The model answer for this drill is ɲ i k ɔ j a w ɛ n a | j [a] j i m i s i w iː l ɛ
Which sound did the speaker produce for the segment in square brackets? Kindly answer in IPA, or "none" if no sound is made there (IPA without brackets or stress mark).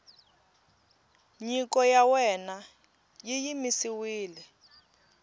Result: i